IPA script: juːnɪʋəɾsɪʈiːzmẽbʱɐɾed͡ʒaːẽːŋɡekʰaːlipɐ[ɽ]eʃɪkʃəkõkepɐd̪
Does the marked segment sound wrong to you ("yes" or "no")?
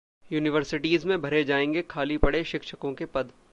no